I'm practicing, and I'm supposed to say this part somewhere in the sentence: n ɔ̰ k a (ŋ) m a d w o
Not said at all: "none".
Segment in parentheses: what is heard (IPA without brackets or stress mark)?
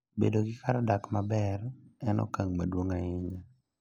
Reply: ŋ